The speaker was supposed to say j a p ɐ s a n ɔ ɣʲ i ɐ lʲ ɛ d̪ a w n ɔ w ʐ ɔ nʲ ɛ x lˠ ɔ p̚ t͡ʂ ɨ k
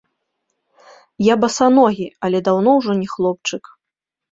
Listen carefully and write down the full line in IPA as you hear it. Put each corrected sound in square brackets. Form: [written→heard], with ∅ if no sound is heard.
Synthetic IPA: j a [p→b] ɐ s a n ɔ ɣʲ i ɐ lʲ ɛ d̪ a w n ɔ w ʐ ɔ nʲ ɛ x lˠ ɔ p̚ t͡ʂ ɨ k